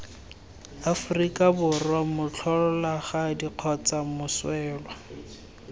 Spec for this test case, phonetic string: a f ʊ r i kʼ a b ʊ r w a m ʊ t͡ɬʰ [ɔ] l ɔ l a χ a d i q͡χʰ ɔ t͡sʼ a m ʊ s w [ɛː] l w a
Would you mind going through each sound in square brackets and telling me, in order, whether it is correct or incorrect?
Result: correct, correct

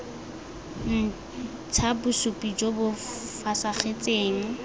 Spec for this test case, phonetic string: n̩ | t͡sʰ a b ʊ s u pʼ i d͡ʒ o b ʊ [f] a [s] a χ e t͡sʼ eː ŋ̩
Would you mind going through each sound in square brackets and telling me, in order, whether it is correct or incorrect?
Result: correct, correct

